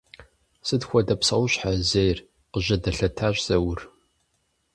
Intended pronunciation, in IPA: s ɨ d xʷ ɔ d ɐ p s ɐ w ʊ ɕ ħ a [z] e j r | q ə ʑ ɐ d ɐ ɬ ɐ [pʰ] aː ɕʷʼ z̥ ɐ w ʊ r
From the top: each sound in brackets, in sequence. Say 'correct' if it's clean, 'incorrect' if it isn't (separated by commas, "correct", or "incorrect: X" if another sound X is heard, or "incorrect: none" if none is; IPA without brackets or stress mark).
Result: correct, incorrect: tʰ